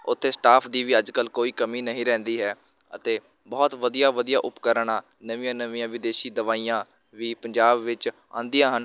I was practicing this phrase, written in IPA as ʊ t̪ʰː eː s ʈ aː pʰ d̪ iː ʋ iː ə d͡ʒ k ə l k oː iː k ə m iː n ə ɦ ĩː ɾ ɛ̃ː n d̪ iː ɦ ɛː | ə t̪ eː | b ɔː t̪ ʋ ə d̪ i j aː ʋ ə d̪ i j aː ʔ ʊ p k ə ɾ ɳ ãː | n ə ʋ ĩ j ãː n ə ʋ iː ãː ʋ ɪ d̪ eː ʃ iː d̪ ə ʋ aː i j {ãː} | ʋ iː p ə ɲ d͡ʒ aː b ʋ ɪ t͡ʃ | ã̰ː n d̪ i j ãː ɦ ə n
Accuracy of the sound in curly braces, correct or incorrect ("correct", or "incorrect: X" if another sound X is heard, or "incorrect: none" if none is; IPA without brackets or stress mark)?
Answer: correct